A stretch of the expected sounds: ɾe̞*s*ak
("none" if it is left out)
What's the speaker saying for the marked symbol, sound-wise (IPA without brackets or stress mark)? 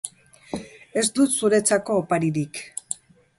t͡s